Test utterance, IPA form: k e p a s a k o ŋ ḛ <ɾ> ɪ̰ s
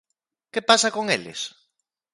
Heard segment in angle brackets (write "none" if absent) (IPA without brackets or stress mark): l